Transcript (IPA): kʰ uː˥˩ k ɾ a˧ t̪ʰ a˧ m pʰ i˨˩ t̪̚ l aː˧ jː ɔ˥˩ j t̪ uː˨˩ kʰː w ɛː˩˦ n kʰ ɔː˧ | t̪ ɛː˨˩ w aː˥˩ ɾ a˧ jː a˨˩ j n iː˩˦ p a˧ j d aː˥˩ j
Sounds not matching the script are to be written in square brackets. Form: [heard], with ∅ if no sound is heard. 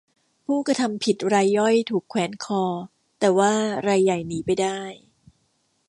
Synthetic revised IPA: [pʰ] uː˥˩ k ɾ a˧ t̪ʰ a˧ m pʰ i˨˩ t̪̚ [ɾ] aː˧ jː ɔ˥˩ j [t̪ʰ] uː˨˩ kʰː w ɛː˩˦ n kʰ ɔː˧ | t̪ ɛː˨˩ w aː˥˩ ɾ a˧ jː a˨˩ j n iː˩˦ p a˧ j d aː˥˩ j